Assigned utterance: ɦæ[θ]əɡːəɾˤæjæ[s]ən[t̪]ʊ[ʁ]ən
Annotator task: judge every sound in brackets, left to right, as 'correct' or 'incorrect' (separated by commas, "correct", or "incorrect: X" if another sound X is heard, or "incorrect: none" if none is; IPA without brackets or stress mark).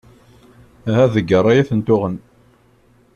incorrect: ð, incorrect: θ, correct, correct